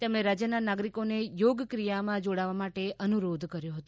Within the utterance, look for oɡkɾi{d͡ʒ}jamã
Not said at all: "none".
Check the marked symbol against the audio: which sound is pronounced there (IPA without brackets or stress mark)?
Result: none